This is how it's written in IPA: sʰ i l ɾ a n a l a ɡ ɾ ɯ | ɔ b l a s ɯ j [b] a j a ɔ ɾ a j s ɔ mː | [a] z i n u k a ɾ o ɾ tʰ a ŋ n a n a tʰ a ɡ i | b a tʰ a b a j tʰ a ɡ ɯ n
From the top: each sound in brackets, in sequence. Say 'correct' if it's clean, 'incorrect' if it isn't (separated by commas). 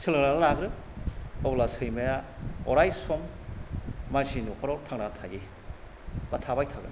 incorrect, correct